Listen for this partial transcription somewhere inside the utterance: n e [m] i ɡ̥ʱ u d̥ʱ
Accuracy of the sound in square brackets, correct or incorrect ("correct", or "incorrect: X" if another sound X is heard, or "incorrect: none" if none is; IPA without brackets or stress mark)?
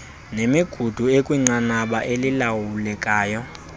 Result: correct